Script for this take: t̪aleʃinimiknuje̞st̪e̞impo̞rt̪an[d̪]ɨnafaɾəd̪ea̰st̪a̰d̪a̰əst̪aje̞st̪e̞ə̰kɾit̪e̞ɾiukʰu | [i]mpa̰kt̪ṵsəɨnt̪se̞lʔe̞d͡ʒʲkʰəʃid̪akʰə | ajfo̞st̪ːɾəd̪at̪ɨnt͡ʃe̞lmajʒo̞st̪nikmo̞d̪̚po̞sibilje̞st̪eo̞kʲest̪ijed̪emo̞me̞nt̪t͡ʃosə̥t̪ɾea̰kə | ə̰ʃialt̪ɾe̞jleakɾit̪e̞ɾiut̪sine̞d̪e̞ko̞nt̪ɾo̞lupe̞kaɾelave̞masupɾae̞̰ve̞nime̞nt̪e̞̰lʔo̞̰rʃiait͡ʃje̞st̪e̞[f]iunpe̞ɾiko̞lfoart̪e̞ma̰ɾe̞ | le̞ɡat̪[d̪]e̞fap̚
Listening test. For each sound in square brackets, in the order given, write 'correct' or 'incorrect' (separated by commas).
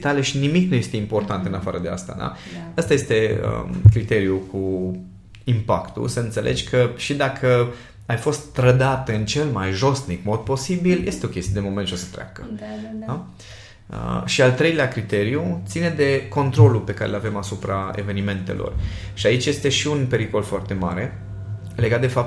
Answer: incorrect, correct, incorrect, correct